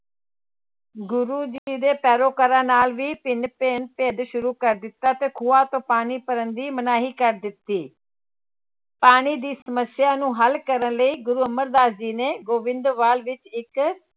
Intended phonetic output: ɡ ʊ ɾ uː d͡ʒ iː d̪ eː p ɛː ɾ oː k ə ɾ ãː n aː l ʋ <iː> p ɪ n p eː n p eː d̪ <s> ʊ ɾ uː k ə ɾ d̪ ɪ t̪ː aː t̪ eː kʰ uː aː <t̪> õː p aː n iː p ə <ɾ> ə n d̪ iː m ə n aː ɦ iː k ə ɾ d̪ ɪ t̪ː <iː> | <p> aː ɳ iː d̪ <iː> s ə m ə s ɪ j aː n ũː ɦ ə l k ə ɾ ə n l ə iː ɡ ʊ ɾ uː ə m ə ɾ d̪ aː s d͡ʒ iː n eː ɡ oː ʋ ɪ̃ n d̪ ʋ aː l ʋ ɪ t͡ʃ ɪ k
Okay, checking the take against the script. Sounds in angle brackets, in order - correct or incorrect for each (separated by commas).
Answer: correct, incorrect, correct, correct, correct, correct, correct